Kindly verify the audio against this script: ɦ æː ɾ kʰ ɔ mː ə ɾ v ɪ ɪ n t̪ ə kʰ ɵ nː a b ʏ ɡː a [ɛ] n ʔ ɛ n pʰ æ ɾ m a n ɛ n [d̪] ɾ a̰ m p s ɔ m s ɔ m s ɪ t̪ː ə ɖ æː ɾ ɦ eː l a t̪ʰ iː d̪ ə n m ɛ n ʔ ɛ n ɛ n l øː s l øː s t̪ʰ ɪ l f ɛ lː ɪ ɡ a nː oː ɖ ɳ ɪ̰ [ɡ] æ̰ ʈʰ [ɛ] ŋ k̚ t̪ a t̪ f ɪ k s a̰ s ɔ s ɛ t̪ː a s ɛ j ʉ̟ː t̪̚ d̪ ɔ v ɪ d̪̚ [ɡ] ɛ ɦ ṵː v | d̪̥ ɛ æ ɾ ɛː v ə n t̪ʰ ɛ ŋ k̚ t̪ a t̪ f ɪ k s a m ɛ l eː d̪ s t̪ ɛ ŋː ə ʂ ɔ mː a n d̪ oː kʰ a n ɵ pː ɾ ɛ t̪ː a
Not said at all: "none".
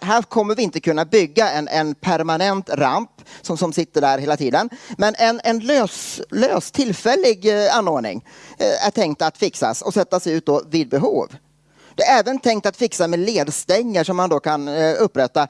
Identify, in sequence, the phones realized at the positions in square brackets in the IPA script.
ɛ, t̪, ŋ, ɛ, b

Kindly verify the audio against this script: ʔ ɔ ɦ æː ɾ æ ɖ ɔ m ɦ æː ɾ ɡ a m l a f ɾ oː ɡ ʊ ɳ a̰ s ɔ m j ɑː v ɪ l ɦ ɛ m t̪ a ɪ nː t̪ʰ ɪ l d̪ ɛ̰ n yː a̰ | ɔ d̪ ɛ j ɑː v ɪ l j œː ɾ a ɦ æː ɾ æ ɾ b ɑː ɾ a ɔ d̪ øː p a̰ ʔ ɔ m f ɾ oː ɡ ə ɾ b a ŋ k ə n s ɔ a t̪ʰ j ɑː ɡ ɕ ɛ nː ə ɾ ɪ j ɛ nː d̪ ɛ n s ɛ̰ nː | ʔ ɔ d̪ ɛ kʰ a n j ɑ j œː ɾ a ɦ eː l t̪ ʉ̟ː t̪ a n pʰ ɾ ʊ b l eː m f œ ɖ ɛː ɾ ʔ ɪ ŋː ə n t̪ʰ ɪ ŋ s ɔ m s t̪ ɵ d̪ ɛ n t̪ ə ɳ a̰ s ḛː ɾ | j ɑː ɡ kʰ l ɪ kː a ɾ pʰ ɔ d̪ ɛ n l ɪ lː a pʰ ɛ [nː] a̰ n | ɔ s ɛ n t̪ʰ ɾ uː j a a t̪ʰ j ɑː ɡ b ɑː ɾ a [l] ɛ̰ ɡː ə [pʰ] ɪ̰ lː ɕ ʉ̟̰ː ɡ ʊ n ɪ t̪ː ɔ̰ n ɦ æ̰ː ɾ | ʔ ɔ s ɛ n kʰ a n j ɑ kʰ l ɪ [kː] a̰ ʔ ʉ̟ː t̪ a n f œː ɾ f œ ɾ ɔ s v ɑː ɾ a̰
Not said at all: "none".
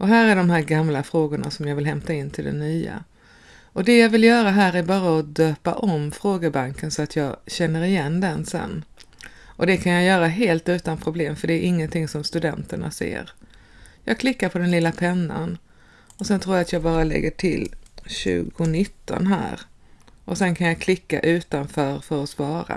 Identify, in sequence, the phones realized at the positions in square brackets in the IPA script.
nː, l, ʈʰ, kː

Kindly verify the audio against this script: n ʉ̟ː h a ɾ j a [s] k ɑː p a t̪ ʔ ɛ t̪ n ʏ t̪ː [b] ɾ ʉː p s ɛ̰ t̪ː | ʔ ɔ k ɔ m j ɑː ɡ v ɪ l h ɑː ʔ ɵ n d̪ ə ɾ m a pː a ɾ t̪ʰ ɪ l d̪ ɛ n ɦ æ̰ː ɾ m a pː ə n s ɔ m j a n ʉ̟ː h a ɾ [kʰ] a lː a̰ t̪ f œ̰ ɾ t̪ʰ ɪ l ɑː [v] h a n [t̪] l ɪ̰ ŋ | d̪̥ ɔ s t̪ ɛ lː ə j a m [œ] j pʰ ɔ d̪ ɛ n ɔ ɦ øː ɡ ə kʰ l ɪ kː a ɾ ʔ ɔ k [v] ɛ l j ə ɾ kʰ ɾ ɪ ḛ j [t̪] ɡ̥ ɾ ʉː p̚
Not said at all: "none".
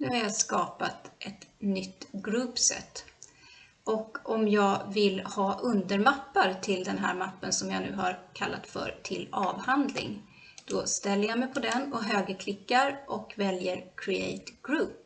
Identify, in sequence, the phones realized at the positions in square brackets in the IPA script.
s, ɡ, kʰ, v, d̪, ɛ, v, t̪

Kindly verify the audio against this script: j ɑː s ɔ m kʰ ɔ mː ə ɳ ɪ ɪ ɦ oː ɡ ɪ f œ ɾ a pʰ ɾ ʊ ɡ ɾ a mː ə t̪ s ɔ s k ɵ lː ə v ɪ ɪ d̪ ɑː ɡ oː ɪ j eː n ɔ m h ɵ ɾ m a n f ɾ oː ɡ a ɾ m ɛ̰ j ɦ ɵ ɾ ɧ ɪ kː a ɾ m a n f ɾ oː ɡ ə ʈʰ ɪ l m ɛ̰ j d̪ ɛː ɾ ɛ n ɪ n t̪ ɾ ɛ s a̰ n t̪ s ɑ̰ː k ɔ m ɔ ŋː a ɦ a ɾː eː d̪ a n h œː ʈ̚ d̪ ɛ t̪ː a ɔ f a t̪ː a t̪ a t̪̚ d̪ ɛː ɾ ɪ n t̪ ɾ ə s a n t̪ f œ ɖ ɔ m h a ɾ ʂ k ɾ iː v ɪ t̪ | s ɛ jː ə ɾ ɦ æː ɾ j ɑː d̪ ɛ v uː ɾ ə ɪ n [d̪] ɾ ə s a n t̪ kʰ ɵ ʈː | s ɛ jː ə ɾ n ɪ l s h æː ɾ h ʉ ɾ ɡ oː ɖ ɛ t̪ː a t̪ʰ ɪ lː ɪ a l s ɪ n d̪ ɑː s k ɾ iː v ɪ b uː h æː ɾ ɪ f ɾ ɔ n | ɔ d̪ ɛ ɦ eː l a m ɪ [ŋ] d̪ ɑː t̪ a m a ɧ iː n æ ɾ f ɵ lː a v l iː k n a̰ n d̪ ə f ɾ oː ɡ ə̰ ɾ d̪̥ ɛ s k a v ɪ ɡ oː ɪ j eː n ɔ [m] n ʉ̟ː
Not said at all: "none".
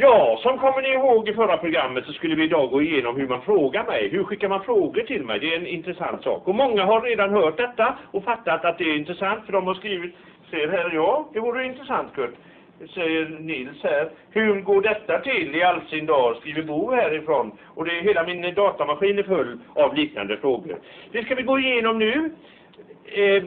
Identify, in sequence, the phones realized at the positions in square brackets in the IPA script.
t̪, n, m

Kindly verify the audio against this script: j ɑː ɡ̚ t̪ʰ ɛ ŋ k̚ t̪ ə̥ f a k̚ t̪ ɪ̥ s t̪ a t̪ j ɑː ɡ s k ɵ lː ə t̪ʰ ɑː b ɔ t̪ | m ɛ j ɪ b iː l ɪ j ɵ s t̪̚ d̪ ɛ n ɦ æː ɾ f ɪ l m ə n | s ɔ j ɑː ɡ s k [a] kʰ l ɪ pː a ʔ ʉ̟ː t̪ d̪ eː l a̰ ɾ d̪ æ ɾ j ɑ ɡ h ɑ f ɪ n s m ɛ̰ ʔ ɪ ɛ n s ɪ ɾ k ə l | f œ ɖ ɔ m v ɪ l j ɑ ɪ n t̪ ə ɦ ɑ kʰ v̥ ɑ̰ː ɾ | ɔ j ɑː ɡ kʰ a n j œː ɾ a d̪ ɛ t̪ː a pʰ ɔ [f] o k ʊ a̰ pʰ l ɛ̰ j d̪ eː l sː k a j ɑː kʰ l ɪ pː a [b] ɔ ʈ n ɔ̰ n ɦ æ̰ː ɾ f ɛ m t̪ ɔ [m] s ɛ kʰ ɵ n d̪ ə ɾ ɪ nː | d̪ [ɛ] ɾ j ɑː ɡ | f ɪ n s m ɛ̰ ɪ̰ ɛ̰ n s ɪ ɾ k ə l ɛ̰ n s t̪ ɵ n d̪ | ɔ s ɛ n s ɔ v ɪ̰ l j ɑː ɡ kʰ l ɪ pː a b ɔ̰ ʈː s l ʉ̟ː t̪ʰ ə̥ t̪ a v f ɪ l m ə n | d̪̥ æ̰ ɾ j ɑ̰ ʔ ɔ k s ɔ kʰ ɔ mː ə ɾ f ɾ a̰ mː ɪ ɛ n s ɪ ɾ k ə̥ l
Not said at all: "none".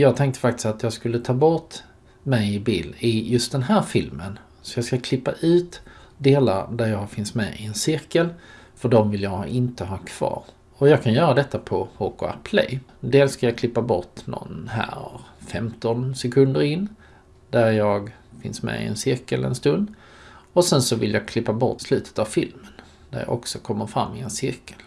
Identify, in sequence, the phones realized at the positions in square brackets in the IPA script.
a, h, b, n, æ

